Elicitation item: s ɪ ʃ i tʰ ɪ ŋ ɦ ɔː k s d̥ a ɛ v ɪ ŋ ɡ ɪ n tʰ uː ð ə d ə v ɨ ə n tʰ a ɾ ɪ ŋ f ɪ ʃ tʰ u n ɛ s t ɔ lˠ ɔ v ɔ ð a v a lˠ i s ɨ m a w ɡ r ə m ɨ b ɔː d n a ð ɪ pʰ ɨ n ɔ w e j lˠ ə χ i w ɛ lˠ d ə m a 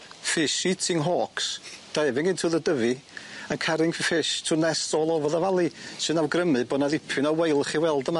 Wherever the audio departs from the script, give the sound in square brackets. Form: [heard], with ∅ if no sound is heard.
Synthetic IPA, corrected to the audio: [f] ɪ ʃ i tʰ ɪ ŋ ɦ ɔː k s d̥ a ɛ v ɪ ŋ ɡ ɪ n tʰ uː ð ə d ə v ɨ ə n [kʰ] a ɾ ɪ ŋ f ɪ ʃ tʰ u n ɛ s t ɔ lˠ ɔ v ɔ ð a v a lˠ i s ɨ [n] a w ɡ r ə m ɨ b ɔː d n a ð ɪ pʰ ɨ n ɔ w e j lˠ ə χ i w ɛ lˠ d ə m a

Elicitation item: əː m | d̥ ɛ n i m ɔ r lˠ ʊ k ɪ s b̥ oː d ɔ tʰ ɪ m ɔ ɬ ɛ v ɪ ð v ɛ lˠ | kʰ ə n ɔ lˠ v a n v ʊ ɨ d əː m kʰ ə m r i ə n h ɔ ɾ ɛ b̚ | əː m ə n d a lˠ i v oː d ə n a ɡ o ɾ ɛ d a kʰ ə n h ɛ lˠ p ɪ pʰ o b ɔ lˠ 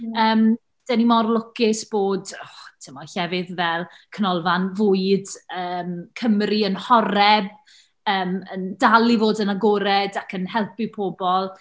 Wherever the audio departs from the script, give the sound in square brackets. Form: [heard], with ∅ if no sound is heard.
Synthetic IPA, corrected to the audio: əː m | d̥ ɛ n i m ɔ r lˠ ʊ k ɪ s b̥ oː d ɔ tʰ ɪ m ɔ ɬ ɛ v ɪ ð v ɛ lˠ | kʰ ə n ɔ lˠ v a n v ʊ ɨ d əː m kʰ ə m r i ə n h ɔ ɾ ɛ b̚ | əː m ə n d a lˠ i v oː d ə n a ɡ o ɾ ɛ d a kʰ ə n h ɛ lˠ p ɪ pʰ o b ɔ lˠ

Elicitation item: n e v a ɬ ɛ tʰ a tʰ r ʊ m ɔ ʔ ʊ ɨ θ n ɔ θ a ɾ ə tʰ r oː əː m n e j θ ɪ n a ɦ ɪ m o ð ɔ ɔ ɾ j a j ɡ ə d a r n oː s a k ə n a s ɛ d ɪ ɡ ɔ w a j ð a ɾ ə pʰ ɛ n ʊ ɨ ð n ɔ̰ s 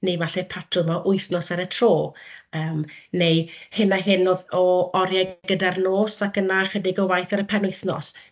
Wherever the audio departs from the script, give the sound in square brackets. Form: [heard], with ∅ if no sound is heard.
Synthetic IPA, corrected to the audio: n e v a ɬ ɛ [pʰ] a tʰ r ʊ m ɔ ʔ ʊ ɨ θ n ɔ [s] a ɾ ə tʰ r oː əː m n e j [h] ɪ n a ɦ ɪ [n] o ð ɔ ɔ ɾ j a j ɡ ə d a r n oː s a k ə n a [χ] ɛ d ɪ ɡ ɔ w a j [θ] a ɾ ə pʰ ɛ n ʊ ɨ [θ] n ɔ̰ s

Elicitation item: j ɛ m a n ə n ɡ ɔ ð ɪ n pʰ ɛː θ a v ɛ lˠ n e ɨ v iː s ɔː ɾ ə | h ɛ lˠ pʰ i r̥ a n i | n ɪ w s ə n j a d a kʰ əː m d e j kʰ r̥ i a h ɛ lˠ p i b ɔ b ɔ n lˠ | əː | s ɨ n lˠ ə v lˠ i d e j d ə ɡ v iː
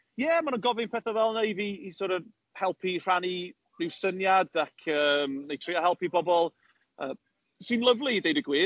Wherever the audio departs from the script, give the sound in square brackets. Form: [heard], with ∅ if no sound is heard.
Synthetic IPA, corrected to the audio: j ɛ m a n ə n ɡ ɔ [v] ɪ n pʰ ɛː θ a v ɛ lˠ n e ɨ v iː s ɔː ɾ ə | h ɛ lˠ pʰ i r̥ a n i | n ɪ w s ə n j a d a kʰ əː m [n] e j [tʰ] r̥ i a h ɛ lˠ p i b ɔ b ɔ [∅] lˠ | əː | s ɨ n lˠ ə v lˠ i d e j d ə ɡ [w] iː

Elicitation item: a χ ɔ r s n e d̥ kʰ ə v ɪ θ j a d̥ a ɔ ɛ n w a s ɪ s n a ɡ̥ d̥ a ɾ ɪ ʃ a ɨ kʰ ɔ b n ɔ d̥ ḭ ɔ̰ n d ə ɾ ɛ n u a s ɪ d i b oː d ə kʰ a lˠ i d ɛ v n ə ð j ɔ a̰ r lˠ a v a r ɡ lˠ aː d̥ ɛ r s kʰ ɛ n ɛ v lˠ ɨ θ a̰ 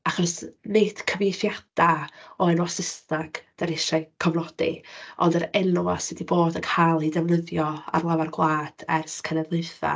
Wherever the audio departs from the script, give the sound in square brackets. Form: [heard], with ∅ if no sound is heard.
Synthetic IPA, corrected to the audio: a χ ɔ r s n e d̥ kʰ ə v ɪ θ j a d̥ a ɔ ɛ n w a s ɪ s n a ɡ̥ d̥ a ɾ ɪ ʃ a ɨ kʰ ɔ [v] n ɔ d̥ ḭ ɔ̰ n d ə ɾ ɛ n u a s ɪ d i b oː d ə kʰ a lˠ i d ɛ v n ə ð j ɔ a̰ r lˠ a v a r ɡ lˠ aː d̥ ɛ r s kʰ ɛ n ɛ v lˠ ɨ θ a̰

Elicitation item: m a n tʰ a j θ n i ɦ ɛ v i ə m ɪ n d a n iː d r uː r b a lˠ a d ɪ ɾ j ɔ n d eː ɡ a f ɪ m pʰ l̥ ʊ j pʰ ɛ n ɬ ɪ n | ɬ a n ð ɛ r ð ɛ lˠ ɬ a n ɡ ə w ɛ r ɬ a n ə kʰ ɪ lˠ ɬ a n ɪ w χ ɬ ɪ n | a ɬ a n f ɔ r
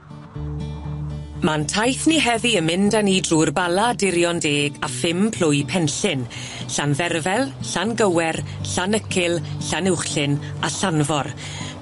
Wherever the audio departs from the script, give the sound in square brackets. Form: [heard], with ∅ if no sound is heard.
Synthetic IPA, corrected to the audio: m a n tʰ a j θ n i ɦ ɛ v i ə m ɪ n d a n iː d r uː r b a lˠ a d ɪ ɾ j ɔ n d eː ɡ a f ɪ m pʰ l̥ ʊ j pʰ ɛ n ɬ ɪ n | ɬ a n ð ɛ r [v] ɛ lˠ ɬ a n ɡ ə w ɛ r ɬ a n ə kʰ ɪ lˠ ɬ a n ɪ w χ ɬ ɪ n | a ɬ a n [v] ɔ r

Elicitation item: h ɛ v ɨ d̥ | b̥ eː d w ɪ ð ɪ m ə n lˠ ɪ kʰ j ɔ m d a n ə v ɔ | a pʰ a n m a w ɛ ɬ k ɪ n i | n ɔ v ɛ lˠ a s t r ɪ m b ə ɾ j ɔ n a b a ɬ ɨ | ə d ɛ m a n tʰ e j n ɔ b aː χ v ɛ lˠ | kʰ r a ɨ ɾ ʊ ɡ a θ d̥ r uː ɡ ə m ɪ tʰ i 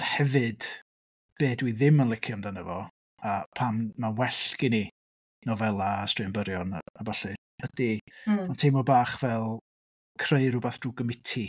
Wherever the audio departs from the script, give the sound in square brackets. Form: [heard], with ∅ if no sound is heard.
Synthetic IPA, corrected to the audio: h ɛ v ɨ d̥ | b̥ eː d w [i] ð ɪ m ə n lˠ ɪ kʰ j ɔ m d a n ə v ɔ | a pʰ a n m a w ɛ ɬ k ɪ n i | n ɔ v ɛ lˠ a s t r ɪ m b ə ɾ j ɔ n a b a ɬ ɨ | ə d [i] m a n tʰ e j [m] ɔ b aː χ v ɛ lˠ | kʰ r [e] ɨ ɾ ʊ [b] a θ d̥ r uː ɡ ə m ɪ tʰ i

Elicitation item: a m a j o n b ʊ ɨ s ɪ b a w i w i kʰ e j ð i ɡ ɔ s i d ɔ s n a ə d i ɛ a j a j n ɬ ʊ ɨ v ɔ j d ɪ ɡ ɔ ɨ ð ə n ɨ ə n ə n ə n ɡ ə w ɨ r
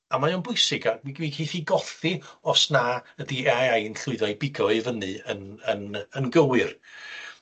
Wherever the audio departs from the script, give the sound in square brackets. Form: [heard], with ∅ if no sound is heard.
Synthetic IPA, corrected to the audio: a m a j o n b ʊ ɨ s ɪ [ɡ] a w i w i kʰ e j [θ] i ɡ ɔ [θ] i [∅] ɔ s n a ə d i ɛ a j a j n ɬ ʊ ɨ [ð] ɔ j [b] ɪ ɡ ɔ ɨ [v] ə n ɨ ə n ə n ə n ɡ ə w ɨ r

